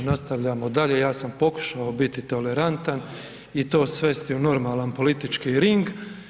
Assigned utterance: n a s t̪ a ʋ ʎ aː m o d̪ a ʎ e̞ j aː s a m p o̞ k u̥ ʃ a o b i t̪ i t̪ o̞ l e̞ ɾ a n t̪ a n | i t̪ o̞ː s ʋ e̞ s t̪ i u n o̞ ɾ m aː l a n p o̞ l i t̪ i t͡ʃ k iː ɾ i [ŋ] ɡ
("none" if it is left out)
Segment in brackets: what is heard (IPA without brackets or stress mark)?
ŋ